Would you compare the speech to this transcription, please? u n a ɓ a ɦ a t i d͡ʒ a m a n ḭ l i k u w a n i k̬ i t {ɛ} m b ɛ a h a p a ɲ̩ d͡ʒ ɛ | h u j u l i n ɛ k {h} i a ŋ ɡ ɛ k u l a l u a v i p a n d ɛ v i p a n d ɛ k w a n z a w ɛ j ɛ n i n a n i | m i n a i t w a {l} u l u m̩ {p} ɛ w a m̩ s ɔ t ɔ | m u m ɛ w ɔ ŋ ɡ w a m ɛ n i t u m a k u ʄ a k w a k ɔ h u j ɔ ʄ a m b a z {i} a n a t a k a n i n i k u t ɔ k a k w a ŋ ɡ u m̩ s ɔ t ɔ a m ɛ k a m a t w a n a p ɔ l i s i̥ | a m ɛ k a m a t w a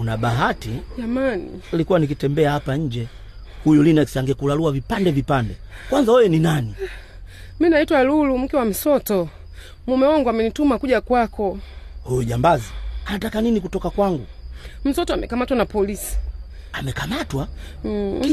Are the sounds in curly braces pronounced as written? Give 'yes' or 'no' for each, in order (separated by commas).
yes, no, yes, no, yes